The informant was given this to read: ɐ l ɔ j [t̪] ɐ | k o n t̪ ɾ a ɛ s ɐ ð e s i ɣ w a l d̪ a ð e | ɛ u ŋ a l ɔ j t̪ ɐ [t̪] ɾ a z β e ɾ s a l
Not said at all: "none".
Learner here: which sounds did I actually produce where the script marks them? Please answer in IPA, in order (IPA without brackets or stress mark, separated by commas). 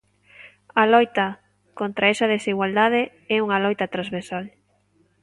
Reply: t̪, t̪